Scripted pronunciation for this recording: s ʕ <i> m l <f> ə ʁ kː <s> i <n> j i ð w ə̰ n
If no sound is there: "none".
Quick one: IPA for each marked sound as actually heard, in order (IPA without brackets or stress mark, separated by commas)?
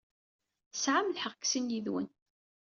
a, ħ, s, n